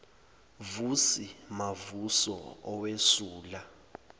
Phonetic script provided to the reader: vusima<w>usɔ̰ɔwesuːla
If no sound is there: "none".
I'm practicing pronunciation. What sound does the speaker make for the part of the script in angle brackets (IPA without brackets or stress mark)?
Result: v